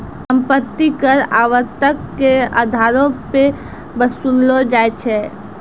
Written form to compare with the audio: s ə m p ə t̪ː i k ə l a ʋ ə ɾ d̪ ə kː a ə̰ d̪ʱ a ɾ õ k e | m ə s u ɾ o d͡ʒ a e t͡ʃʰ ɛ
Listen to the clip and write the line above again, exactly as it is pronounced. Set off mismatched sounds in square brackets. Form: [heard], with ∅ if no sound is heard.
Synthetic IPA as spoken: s ə m p ə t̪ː i k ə [ɾ] a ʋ ə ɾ [t̪] ə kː [e] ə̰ d̪ʱ a ɾ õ [p] e | [b] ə s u [l] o d͡ʒ a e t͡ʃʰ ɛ